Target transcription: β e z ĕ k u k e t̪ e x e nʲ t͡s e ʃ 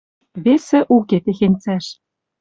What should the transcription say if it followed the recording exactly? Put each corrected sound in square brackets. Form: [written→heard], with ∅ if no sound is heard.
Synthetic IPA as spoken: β e [z→s] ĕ [k→ʔ] u k e t̪ e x e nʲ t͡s [e→æ] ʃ